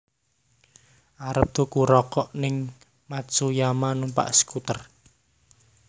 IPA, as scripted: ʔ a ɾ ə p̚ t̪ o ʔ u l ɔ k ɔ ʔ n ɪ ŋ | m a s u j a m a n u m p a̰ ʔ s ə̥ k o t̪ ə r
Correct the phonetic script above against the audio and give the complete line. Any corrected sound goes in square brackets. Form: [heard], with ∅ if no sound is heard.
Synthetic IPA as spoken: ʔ a ɾ ə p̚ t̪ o [k] u [ɾ] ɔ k ɔ ʔ n ɪ ŋ | m a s u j a m a n u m p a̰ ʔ s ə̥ k [u] t̪ ə r